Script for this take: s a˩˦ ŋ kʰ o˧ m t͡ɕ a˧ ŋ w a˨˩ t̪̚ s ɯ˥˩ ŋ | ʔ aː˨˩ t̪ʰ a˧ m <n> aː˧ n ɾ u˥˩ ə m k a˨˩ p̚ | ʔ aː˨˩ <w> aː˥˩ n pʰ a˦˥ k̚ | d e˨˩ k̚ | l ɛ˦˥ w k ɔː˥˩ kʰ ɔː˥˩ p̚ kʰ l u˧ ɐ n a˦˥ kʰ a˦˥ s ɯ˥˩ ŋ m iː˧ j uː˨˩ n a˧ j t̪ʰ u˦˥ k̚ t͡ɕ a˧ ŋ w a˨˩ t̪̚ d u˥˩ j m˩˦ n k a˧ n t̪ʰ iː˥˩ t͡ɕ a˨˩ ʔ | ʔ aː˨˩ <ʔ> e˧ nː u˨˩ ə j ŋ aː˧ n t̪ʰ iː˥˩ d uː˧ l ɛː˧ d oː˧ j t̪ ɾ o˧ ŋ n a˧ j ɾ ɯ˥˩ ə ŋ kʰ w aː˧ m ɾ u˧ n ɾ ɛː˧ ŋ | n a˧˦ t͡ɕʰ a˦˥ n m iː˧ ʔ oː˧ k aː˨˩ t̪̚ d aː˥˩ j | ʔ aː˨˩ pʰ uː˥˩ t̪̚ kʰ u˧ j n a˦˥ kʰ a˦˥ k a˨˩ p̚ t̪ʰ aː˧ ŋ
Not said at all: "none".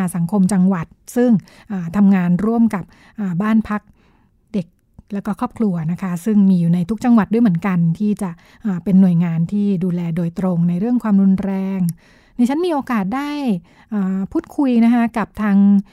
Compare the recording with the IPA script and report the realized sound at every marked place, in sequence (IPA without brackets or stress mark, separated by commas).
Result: ŋ, b, p